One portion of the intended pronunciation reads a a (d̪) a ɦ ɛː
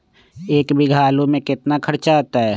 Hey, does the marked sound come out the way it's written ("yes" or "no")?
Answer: no